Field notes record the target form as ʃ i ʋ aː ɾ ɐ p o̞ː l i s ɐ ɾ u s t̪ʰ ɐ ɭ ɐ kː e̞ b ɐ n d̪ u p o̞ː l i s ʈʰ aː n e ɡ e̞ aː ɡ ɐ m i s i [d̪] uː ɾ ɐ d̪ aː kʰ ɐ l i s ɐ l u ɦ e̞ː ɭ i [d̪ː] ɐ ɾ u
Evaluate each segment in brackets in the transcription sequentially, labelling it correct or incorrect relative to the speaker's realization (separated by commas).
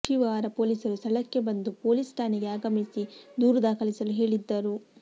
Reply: correct, correct